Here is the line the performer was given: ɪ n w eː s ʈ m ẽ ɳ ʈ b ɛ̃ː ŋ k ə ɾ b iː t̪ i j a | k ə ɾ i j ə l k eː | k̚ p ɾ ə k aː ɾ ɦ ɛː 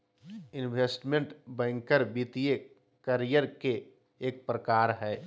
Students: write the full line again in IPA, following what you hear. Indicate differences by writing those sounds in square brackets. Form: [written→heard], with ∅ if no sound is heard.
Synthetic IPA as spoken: ɪ n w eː s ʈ m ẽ ɳ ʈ b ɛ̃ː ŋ k ə ɾ b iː t̪ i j [a→e] | k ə ɾ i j ə [l→ɾ] k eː | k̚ p ɾ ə k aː ɾ ɦ ɛː